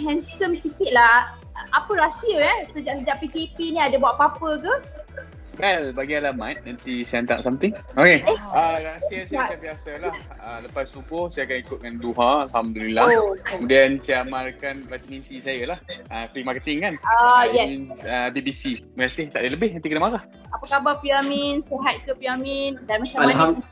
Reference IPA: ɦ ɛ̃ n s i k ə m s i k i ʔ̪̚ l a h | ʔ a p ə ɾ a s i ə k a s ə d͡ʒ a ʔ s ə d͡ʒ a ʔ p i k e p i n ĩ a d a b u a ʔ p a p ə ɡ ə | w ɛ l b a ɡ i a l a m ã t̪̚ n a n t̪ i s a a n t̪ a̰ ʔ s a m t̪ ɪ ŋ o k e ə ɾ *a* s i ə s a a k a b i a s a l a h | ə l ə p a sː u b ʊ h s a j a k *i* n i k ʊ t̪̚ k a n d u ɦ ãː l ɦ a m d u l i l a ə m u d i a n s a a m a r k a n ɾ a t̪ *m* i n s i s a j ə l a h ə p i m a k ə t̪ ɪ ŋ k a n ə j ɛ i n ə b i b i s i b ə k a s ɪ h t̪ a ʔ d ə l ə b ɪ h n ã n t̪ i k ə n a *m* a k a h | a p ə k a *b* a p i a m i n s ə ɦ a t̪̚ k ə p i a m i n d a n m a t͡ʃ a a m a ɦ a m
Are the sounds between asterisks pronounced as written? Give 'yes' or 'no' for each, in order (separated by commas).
yes, no, yes, yes, yes